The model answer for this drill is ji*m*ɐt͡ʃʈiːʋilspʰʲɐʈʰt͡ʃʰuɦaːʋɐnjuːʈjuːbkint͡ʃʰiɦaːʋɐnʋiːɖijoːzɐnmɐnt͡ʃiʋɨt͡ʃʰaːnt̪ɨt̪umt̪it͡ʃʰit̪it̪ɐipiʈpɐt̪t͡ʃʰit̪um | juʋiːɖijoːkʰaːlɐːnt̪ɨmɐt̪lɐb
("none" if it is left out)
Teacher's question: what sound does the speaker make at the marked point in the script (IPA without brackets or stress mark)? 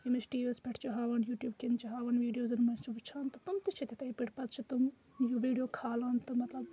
m